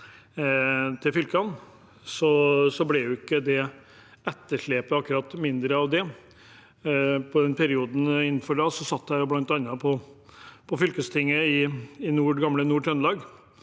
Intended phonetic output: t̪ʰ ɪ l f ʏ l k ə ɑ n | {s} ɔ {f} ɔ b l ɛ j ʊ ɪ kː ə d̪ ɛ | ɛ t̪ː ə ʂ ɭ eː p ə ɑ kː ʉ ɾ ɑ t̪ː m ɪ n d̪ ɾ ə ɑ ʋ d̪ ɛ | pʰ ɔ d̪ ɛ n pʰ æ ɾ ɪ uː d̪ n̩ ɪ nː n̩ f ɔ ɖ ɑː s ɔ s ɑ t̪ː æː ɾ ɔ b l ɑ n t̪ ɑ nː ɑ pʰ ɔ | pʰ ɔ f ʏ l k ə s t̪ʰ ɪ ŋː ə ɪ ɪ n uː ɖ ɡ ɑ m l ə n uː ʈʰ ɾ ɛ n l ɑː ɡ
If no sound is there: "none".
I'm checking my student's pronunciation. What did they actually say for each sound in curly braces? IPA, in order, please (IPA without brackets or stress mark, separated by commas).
s, s